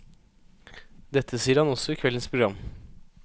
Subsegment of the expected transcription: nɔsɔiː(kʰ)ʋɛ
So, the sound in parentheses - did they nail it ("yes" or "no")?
yes